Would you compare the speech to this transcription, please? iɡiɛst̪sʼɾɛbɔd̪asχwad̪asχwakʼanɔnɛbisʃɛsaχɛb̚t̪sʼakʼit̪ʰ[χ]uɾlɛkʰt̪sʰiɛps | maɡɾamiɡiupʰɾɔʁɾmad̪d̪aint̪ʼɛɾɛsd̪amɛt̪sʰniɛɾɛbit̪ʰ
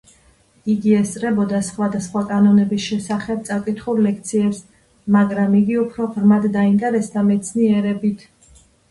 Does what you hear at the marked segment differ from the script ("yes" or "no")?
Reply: no